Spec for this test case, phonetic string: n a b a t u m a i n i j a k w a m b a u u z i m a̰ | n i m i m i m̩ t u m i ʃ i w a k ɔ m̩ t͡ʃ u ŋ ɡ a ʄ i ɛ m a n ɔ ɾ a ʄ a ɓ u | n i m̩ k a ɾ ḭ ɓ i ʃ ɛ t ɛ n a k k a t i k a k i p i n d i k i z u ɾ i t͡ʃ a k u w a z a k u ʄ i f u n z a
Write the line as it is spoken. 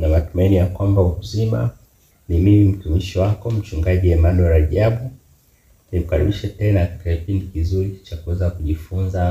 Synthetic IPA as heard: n a m a t u m a i n i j a k w a m b a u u z i m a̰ | n i m i m i m̩ t u m i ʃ i w a k ɔ m̩ t͡ʃ u ŋ ɡ a ʄ i ɛ m a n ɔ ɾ a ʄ a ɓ u | n i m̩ k a ɾ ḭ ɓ i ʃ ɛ t ɛ n a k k a t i k a k i p i n d i k i z u ɾ i t͡ʃ a k u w ɛ z a k u ʄ i f u n z a